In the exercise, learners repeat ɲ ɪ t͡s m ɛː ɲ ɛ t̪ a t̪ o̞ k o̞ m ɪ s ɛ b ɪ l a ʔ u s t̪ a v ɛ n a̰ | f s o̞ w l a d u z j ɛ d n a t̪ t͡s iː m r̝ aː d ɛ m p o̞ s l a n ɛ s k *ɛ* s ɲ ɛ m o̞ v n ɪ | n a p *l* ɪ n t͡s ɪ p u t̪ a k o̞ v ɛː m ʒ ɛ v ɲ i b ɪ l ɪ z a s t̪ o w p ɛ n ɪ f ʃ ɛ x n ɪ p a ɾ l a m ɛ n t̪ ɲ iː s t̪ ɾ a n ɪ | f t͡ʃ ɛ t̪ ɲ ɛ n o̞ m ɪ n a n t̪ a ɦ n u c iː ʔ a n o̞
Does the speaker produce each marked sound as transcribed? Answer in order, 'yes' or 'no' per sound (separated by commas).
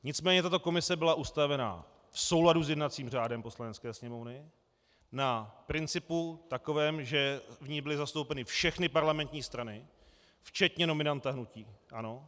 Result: no, no